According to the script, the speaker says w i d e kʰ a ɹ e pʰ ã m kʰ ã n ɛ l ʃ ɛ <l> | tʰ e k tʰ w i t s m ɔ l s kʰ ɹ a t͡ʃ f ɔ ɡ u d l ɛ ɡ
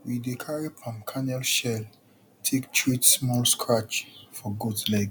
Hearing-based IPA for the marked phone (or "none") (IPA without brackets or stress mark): l